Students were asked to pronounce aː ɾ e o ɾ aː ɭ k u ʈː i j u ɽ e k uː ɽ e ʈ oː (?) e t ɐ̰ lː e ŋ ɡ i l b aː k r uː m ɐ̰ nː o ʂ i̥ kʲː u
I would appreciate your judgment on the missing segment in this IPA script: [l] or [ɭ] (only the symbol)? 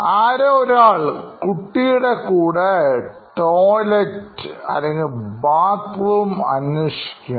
l